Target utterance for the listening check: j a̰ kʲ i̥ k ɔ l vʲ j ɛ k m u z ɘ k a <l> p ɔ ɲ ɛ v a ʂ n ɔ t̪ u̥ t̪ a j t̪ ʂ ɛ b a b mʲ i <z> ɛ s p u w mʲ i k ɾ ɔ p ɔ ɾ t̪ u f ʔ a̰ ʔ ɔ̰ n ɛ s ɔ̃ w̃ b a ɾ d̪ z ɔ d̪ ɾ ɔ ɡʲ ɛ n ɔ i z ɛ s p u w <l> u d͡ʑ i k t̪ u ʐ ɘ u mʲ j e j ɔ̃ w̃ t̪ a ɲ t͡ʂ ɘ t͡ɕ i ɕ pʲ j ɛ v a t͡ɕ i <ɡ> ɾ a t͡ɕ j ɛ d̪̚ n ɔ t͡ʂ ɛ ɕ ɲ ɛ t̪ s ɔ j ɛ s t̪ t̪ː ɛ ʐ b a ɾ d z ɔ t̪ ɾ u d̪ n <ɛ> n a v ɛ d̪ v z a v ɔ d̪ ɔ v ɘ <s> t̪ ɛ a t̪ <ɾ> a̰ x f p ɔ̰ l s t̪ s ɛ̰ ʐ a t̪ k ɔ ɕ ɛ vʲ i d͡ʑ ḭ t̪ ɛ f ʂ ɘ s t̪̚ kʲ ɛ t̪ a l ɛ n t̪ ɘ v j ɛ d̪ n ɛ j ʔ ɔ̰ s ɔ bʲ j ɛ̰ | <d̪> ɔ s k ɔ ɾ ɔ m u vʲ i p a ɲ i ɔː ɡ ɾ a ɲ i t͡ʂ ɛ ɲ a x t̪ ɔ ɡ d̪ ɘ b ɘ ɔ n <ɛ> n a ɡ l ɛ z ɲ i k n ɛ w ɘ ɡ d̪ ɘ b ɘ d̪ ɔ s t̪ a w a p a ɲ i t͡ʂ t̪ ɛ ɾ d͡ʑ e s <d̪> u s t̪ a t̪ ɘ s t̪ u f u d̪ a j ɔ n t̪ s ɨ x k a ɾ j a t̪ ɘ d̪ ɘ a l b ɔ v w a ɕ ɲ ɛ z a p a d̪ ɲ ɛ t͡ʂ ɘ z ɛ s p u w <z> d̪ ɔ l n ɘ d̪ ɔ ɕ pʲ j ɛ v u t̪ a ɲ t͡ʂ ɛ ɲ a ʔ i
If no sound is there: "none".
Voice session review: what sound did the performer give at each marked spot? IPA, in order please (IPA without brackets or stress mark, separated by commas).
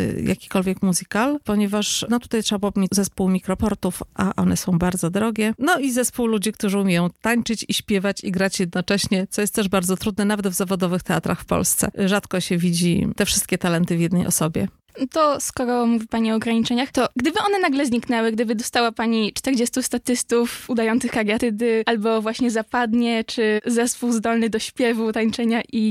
l, z, l, ɡ, ɛ, x, ɾ, t̪, ɛ, t̪, z